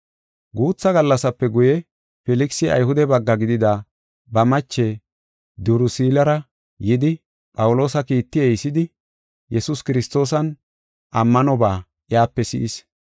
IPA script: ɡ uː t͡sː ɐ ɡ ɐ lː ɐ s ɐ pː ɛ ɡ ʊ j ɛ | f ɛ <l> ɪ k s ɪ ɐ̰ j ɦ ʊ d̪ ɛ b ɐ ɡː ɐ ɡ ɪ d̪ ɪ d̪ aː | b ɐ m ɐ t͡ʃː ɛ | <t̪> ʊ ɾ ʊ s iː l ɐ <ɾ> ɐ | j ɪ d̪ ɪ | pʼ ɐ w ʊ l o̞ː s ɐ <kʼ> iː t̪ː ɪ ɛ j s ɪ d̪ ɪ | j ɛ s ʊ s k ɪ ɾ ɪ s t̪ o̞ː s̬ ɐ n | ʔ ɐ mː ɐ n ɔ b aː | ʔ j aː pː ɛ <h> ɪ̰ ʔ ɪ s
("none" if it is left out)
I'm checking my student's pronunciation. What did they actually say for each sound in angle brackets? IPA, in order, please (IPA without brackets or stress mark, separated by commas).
l, d̪, ɾ, k, s